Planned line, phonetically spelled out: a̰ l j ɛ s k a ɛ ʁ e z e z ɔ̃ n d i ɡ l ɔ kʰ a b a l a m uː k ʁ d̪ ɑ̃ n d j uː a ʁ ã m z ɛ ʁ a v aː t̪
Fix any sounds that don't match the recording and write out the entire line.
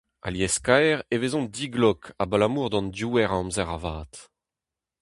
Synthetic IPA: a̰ l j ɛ s k a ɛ ʁ e v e z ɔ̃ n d i ɡ l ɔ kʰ a b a l a m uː ʁ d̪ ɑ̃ n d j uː ɛ ʁ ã m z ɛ ʁ a v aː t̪